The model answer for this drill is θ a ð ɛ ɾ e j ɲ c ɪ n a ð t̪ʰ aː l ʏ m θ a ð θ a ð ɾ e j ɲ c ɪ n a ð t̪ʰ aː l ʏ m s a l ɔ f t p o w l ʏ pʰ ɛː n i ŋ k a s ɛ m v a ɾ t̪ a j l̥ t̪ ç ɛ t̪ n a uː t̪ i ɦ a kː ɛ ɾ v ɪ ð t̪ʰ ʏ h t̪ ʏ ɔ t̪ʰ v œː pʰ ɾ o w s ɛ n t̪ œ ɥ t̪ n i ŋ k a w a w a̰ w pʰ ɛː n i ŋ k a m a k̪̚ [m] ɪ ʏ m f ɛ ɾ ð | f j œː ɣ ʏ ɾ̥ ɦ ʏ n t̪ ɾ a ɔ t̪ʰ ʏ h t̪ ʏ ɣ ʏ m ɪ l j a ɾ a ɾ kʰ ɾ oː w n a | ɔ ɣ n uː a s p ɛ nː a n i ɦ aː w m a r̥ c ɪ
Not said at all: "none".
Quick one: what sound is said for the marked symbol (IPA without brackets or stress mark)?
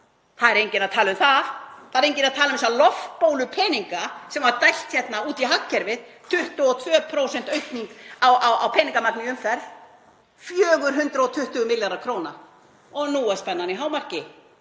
n